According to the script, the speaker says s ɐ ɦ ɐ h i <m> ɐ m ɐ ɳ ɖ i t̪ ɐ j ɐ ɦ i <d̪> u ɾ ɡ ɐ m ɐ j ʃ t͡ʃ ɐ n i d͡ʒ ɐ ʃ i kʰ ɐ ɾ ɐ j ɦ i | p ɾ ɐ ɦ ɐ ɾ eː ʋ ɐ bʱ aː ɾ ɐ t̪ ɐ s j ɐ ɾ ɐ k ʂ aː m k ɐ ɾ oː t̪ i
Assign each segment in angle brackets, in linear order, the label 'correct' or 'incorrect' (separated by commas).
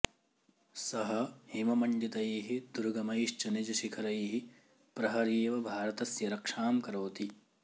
correct, correct